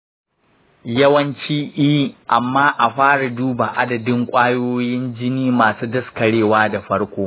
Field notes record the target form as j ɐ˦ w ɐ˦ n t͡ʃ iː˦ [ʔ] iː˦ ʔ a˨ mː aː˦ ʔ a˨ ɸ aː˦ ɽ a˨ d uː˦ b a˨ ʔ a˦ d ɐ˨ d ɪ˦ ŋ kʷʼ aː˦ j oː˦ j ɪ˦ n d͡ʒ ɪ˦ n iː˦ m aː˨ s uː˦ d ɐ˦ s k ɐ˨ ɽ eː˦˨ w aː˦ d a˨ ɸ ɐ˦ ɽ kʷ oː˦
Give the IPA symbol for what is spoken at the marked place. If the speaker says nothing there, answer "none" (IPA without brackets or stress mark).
ʔ